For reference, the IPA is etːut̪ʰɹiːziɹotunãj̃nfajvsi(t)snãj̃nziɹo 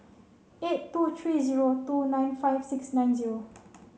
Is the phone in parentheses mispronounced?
yes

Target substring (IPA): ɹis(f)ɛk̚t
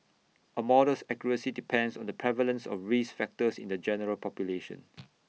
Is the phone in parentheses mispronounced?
no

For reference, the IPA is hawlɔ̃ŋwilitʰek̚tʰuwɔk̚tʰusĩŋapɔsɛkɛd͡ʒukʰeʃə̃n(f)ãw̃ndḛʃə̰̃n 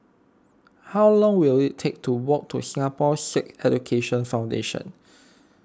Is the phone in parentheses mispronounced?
no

